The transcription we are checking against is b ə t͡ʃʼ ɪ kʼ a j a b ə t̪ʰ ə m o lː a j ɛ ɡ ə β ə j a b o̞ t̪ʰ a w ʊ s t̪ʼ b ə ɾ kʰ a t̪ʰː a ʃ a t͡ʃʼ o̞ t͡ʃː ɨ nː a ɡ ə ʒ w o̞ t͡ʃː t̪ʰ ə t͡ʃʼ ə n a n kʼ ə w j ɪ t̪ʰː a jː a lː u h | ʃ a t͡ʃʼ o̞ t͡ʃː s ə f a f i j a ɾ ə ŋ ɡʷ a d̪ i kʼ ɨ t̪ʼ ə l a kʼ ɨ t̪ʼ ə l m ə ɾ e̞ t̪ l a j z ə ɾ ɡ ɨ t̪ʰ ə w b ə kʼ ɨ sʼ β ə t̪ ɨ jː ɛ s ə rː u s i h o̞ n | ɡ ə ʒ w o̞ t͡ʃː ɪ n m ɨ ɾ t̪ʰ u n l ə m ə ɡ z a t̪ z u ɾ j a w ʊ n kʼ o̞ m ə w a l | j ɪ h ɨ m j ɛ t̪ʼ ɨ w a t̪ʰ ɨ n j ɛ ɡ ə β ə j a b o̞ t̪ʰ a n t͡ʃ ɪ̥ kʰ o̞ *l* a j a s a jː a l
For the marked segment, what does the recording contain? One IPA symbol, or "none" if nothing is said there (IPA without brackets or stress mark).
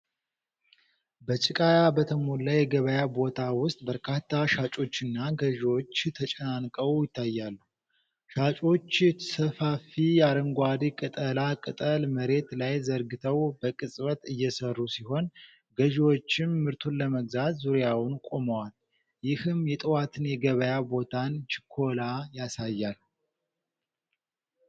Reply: l